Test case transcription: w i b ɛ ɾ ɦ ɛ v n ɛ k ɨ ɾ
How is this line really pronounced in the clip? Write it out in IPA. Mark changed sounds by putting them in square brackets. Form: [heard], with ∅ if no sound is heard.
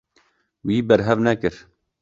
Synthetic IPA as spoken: w [iː] b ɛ ɾ ɦ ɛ v n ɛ k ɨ ɾ